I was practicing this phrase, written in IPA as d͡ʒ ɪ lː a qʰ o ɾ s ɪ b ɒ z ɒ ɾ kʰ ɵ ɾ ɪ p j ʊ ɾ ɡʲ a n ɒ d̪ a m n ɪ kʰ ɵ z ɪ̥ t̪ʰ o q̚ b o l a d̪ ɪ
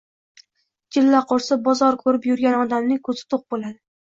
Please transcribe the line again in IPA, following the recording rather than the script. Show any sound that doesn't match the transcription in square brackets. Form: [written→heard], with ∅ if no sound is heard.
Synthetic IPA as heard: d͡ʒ ɪ lː a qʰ o ɾ s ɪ b ɒ z ɒ ɾ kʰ ɵ ɾ ɪ p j ʊ ɾ ɡʲ a n ɒ d̪ a m n ɪ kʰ ɵ z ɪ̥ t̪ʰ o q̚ b o l a d̪ ɪ